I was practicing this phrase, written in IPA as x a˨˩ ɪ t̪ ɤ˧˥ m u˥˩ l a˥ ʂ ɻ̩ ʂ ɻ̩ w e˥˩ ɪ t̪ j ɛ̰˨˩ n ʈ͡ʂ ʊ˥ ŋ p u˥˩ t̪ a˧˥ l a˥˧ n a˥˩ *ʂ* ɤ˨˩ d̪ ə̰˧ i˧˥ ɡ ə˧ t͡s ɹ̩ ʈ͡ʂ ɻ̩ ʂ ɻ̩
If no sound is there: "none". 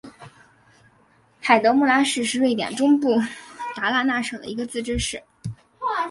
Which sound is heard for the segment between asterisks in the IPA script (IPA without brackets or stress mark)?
ʂ